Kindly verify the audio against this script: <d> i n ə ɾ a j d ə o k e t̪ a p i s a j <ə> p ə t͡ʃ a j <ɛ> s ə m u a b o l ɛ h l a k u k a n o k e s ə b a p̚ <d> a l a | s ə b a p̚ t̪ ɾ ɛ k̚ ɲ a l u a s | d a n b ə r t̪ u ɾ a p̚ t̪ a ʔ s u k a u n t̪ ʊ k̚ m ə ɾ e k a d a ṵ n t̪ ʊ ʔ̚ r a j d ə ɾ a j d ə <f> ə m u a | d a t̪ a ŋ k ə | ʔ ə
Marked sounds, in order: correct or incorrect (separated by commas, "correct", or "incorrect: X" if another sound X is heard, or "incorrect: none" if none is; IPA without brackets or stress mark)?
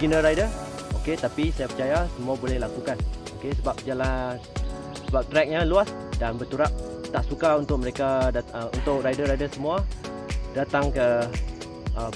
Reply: incorrect: ɡ, incorrect: a, incorrect: a, incorrect: d͡ʒ, incorrect: s